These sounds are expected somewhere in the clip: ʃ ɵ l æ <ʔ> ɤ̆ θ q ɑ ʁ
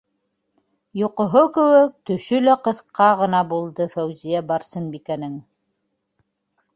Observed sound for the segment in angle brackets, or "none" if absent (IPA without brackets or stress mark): q